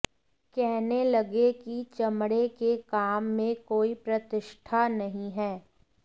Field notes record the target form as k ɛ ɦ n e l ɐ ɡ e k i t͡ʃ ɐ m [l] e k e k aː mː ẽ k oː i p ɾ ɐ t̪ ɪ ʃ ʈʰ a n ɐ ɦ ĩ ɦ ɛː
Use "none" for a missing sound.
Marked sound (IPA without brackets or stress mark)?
ɽ